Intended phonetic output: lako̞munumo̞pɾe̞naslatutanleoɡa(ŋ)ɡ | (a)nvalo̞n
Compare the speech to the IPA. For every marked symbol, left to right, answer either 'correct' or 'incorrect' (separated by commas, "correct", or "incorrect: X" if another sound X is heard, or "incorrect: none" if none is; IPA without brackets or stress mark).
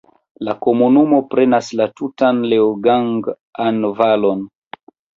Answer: correct, correct